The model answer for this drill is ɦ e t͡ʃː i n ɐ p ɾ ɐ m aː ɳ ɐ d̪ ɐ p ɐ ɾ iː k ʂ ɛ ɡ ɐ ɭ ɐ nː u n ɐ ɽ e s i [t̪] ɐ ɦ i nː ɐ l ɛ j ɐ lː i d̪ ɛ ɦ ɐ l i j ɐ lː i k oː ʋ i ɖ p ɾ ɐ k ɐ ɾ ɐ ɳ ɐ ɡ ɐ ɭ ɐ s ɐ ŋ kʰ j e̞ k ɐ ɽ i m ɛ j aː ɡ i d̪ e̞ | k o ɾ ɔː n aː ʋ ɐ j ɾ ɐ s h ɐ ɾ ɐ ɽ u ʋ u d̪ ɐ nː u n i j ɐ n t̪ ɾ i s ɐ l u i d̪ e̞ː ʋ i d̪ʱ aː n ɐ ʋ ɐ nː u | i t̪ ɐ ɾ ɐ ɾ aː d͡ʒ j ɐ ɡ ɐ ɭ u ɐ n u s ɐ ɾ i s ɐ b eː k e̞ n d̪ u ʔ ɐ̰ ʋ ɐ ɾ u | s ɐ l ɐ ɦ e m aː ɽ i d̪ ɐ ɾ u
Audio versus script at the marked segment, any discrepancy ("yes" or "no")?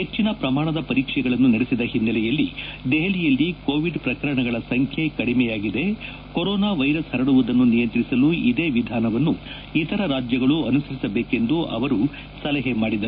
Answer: yes